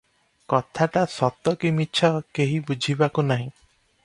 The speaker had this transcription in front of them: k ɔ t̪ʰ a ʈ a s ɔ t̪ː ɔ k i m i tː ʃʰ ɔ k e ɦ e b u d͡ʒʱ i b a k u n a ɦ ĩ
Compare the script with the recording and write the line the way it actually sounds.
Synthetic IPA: k ɔ t̪ʰ a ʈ a s ɔ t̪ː ɔ k i m i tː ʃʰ ɔ k e ɦ i b u d͡ʒʱ i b a k u n a ɦ ĩ